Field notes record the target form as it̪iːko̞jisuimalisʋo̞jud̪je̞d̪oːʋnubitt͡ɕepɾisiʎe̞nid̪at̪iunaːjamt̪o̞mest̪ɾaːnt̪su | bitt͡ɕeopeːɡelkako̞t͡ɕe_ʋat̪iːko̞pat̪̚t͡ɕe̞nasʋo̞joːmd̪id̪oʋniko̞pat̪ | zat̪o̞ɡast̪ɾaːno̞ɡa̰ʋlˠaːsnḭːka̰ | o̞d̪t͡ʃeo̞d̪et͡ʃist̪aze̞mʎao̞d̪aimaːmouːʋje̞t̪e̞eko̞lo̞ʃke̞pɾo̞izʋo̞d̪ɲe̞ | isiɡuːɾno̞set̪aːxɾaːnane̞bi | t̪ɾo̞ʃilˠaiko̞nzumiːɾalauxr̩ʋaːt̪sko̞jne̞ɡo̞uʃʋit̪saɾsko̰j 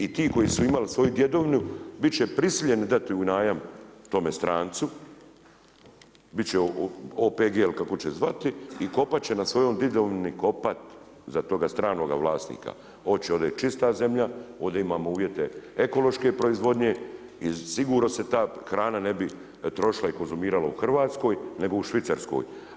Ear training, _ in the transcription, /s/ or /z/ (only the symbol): z